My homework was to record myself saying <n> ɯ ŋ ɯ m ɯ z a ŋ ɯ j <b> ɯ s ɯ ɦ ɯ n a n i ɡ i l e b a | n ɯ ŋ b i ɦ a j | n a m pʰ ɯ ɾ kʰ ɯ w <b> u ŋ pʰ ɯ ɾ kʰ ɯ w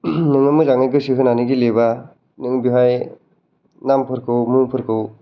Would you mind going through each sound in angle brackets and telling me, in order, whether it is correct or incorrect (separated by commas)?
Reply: correct, incorrect, incorrect